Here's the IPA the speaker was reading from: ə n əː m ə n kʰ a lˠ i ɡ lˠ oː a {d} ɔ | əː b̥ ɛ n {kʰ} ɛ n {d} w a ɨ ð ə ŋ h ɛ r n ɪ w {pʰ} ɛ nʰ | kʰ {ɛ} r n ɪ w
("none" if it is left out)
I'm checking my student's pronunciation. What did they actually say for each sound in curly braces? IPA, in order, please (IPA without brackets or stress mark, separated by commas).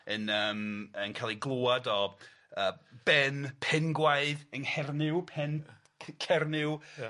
d, pʰ, ɡ, pʰ, ɛ